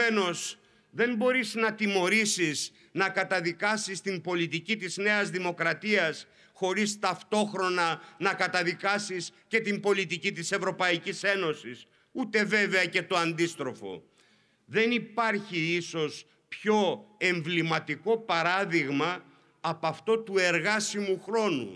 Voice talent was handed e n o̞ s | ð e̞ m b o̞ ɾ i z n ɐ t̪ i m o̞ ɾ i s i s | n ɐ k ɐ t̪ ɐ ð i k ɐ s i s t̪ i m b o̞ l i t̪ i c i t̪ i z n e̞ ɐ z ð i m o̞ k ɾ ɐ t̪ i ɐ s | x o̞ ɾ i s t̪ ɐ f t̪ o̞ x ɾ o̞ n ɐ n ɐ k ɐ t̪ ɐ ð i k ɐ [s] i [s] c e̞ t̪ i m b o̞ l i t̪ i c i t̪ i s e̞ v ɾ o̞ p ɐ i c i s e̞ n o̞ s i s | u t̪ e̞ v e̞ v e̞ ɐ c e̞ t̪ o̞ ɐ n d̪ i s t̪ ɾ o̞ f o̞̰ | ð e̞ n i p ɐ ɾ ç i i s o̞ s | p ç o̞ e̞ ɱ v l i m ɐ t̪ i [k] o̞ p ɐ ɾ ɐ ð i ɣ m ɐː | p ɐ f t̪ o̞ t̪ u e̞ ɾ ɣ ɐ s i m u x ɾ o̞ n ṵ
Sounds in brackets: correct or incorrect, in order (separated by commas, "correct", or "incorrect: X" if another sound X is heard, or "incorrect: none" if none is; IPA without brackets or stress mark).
correct, correct, correct